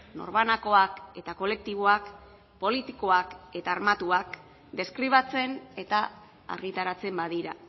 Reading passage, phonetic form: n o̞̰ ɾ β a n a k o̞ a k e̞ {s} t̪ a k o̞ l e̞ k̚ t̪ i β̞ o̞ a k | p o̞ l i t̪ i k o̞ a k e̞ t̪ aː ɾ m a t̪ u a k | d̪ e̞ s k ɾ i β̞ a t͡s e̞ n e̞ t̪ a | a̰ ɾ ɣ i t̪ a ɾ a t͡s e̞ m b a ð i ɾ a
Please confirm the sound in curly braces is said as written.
no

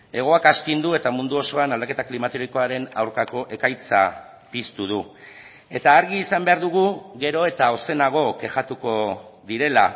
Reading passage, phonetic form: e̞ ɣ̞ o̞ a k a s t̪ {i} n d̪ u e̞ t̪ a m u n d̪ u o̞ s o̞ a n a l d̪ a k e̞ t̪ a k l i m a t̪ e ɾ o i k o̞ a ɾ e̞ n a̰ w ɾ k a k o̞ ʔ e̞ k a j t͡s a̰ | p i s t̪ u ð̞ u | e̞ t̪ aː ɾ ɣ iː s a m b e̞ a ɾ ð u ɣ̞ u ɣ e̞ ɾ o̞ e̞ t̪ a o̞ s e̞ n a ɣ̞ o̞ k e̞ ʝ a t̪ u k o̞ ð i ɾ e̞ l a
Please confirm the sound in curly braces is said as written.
yes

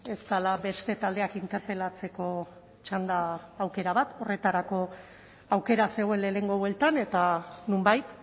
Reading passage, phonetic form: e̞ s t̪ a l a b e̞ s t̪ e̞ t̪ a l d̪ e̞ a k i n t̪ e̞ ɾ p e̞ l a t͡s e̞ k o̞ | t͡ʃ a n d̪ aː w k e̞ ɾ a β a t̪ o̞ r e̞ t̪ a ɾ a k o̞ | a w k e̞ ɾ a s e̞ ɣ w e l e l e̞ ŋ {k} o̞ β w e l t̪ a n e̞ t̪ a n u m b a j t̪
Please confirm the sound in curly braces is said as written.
no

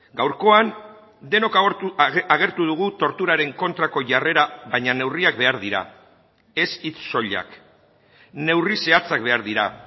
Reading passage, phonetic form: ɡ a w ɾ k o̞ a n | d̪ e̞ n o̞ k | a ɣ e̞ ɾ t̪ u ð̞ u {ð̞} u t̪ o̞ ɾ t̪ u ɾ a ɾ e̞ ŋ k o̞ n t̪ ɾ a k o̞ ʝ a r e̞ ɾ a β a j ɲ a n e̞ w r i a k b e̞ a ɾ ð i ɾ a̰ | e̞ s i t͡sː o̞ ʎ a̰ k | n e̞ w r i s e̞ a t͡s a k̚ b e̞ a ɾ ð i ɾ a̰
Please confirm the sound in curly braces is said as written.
no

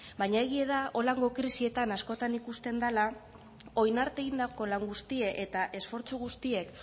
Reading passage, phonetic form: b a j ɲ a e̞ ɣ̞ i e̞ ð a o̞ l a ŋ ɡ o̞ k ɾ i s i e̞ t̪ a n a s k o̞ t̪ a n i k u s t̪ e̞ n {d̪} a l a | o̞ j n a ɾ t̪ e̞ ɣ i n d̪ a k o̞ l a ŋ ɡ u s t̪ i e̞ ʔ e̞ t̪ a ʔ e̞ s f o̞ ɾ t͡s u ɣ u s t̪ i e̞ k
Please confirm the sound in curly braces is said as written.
yes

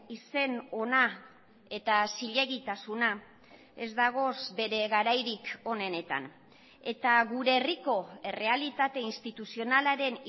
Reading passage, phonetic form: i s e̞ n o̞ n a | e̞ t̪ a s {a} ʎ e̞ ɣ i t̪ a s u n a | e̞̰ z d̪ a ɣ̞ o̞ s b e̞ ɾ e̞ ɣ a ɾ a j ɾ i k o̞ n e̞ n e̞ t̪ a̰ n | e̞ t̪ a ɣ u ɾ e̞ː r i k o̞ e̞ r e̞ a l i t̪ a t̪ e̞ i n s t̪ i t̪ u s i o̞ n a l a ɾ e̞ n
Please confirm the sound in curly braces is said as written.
no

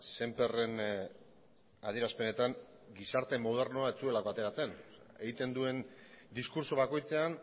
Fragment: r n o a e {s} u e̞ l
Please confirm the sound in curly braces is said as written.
no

